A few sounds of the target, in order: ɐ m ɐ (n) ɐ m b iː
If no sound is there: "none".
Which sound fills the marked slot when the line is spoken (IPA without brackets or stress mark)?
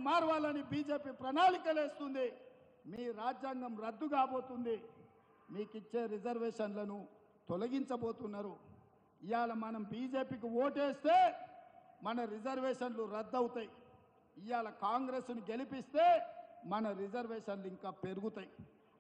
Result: n